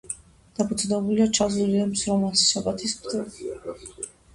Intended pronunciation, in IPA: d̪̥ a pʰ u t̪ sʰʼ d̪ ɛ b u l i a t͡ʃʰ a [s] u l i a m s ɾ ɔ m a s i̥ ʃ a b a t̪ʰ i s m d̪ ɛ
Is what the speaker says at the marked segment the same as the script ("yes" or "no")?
no